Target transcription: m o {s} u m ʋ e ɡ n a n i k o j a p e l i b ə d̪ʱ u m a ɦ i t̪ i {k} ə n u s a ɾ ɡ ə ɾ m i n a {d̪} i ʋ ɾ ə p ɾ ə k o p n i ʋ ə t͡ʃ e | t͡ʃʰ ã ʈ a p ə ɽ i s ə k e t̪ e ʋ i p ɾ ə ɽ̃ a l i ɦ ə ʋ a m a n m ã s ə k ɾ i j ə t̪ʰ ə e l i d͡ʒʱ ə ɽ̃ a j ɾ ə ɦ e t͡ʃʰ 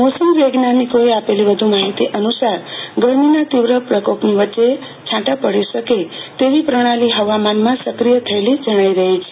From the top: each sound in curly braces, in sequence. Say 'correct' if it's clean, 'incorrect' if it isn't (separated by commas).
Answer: correct, incorrect, incorrect